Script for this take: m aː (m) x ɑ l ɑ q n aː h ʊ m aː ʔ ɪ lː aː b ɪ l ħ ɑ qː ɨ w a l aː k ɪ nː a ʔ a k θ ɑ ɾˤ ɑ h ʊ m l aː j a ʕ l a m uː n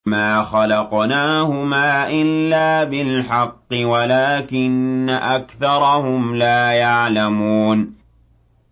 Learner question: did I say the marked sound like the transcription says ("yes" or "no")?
no